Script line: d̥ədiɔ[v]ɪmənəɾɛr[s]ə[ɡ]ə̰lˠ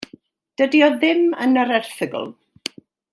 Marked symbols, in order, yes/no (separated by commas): no, no, yes